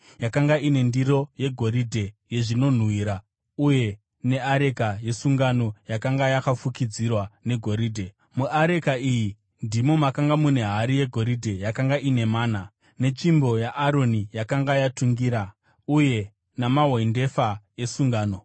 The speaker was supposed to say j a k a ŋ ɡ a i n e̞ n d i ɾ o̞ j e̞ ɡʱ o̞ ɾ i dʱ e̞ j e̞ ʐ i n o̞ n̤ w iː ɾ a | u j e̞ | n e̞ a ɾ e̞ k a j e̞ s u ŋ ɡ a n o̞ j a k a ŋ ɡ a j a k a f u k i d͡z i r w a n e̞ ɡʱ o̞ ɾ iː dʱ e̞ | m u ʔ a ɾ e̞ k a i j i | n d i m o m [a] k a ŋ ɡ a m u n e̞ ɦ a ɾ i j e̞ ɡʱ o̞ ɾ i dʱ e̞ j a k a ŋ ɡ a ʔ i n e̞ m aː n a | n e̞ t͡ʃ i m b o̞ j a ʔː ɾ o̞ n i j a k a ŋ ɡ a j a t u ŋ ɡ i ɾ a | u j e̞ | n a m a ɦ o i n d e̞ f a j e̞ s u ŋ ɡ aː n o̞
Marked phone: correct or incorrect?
correct